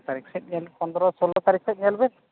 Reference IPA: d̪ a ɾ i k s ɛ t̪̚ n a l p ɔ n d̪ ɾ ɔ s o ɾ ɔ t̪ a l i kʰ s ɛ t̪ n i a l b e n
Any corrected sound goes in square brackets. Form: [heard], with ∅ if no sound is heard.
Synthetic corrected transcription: [t̪] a ɾ i k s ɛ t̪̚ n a l p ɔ n d̪ ɾ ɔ s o [l] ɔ t̪ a [ɾ] i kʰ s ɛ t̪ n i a l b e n